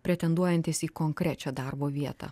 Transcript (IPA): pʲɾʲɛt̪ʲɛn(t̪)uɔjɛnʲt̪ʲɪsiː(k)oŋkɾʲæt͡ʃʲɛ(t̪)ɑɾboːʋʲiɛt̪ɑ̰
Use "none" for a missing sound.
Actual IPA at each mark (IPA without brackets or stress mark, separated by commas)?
d̪, k, d̪